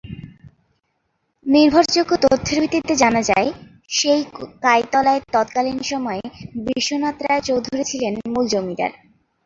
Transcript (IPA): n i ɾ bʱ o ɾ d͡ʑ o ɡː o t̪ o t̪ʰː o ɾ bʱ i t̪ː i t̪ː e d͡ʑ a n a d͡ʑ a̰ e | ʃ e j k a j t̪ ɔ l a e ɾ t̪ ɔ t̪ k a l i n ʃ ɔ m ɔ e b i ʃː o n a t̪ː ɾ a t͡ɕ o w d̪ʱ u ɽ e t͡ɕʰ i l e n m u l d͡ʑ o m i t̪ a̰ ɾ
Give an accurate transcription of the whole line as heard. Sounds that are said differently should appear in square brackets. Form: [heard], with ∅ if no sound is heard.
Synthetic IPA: n i ɾ bʱ o ɾ d͡ʑ o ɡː o t̪ o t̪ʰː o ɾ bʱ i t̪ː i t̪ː e d͡ʑ a n a d͡ʑ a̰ e | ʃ e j k a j t̪ ɔ l a e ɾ t̪ ɔ t̪ k a l i n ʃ ɔ m ɔ e b i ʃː o n a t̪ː ɾ a t͡ɕ o w d̪ʱ u [ɾ] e t͡ɕʰ i l e n m u l d͡ʑ o m i [d̪] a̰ ɾ